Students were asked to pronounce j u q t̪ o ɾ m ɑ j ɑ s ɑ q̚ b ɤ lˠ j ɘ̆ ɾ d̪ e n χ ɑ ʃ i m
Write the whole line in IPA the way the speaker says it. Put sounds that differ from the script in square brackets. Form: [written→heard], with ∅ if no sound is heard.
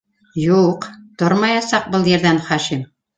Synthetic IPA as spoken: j u q t̪ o ɾ m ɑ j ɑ s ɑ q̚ b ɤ lˠ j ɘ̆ ɾ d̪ [e→æ] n χ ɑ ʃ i m